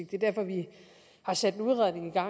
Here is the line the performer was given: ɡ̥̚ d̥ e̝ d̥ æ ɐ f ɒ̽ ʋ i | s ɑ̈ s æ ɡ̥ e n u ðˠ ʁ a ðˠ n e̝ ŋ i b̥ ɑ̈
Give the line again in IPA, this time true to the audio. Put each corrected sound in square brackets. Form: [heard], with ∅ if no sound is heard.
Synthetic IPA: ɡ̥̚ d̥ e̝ d̥ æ ɐ f ɒ̽ ʋ i | [h] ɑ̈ s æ [d̥] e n u ðˠ ʁ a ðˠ n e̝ ŋ i [ɡ̥] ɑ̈

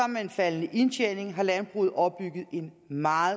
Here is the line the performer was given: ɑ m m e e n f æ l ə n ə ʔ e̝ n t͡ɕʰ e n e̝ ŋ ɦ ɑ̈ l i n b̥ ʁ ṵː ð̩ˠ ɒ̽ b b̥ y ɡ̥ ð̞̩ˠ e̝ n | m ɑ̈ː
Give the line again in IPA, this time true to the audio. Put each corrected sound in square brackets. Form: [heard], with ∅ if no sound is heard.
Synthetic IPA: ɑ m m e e n f æ l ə n ə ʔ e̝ n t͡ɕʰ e n e̝ ŋ ɦ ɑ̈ l [æ] n b̥ ʁ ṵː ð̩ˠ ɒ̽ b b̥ y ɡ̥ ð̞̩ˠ e̝ n | m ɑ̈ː

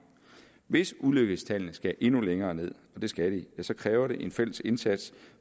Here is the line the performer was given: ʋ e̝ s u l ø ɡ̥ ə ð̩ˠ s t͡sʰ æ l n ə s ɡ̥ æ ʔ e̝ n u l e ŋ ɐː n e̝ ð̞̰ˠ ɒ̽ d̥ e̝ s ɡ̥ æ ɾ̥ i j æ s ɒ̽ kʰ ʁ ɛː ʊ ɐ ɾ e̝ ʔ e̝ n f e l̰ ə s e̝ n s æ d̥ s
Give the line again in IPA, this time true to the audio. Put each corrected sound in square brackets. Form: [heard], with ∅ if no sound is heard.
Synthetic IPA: ʋ e̝ s u l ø ɡ̥ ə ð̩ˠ s t͡sʰ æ l n ə s ɡ̥ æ ʔ e̝ n u l e ŋ ɐː n e̝ ð̞̰ˠ ɒ̽ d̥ e̝ s ɡ̥ æ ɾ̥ i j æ s ɒ̽ kʰ ʁ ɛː ʊ ɐ ɾ e̝ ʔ e̝ n f e l̰ ə s e̝ n s æ d̥ s

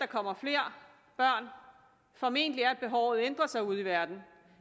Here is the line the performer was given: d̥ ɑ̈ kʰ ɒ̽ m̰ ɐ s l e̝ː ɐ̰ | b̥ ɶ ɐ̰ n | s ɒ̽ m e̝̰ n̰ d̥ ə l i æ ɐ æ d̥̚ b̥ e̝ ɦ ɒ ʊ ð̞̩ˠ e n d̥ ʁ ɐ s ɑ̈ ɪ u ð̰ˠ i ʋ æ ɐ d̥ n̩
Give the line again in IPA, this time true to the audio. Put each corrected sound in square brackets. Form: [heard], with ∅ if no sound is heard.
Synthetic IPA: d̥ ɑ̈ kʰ ɒ̽ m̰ ɐ [f] l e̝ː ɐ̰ | b̥ ɶ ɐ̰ n | [f] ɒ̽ m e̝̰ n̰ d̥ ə l i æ ɐ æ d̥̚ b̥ e̝ ɦ ɒ ʊ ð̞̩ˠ e n d̥ ʁ ɐ s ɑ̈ ɪ u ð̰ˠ i ʋ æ ɐ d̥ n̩

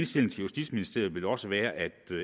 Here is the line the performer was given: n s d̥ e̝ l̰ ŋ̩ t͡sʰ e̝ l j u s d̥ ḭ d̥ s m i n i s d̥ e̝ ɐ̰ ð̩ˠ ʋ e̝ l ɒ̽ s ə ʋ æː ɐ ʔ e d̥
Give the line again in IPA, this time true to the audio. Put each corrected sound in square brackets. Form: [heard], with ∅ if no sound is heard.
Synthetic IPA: n s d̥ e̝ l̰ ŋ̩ t͡sʰ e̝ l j u s d̥ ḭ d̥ s m i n i s d̥ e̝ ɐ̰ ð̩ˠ ʋ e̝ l ɒ̽ s ə ʋ æː ɐ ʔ [æ] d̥

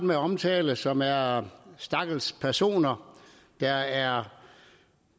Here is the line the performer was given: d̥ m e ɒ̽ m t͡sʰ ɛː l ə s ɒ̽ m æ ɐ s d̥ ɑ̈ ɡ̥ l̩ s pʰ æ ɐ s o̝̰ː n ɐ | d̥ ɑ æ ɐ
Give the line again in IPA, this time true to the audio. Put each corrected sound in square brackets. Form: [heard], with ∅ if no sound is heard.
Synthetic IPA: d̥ m e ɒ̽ m t͡sʰ ɛː l ə s ɒ̽ m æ ɐ s d̥ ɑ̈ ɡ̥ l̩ s pʰ æ ɐ s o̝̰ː n ɐ | d̥ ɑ æ ɐ

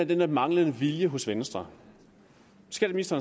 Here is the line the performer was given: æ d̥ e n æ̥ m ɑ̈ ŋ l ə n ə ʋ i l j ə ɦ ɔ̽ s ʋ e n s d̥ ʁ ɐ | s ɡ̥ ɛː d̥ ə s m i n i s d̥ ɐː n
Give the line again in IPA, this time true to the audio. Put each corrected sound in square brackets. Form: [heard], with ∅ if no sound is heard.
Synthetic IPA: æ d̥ e n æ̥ m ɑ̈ ŋ l ə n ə ʋ i l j ə ɦ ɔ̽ s ʋ e n s d̥ ʁ ɐ | s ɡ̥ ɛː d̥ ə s m i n i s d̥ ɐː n

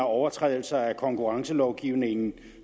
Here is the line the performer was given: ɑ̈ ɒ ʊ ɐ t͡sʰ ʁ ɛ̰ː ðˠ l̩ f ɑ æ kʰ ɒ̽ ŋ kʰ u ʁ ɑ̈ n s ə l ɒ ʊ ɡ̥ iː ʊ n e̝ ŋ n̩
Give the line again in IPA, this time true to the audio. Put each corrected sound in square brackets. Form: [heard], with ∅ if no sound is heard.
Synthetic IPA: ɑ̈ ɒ ʊ ɐ t͡sʰ ʁ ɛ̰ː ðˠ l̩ [s] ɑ æ kʰ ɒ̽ ŋ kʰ u ʁ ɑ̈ [ŋ] s ə l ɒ ʊ ɡ̥ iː ʊ n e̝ ŋ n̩

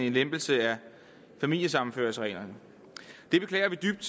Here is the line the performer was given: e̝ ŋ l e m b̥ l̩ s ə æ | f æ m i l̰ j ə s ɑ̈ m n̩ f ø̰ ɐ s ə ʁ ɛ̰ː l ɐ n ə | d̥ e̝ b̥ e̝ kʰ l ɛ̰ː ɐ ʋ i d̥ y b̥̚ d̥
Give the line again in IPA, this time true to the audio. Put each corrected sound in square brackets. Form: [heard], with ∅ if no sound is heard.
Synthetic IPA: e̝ [n] l e m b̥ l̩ s ə æ | f æ m i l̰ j ə s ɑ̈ m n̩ f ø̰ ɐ s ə ʁ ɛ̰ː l ɐ n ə | d̥ e̝ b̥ e̝ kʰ l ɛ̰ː ɐ ʋ i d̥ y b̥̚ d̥

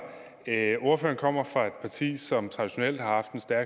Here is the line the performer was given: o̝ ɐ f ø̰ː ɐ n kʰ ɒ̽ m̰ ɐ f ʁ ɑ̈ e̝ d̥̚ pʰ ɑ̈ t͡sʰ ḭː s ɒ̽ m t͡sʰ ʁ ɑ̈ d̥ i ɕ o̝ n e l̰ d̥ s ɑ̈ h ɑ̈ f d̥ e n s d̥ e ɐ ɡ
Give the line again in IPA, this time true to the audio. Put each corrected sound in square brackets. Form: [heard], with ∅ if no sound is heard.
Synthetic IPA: o̝ ɐ f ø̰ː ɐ n kʰ ɒ̽ m̰ ɐ f ʁ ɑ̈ e̝ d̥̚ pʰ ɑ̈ t͡sʰ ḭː s ɒ̽ m t͡sʰ ʁ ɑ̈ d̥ i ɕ o̝ n e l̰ d̥ [h] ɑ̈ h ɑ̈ f d̥ e n s d̥ [æ] ɐ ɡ

